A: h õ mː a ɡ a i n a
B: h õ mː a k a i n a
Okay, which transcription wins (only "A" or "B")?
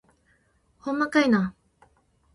B